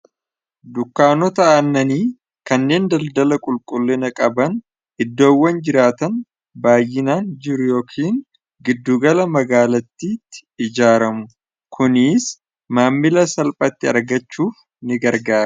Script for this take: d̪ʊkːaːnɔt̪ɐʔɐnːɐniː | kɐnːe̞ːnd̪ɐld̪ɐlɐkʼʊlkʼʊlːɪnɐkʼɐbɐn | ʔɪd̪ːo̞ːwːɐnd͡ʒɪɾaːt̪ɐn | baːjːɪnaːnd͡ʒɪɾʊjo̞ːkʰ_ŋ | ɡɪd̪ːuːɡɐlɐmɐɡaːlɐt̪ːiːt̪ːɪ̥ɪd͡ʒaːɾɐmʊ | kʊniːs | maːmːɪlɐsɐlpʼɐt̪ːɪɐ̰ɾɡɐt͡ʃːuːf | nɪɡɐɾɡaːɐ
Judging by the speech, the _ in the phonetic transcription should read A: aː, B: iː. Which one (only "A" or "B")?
B